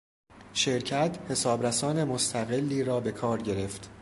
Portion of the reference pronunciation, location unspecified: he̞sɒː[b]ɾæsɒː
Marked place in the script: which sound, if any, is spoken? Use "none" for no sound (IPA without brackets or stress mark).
b